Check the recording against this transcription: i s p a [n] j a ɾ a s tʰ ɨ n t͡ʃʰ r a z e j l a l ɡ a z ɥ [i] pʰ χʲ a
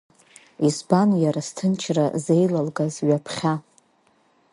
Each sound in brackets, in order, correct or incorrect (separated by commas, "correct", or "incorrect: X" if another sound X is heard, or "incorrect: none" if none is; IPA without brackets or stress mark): correct, incorrect: a